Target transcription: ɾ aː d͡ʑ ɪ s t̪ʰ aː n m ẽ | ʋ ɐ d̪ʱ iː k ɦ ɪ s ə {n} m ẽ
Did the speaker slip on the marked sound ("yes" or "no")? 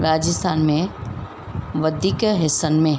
no